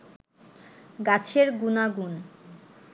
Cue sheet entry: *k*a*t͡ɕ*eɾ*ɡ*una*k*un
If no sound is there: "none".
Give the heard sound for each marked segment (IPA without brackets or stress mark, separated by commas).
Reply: ɡ, t͡ɕʰ, ɡ, ɡ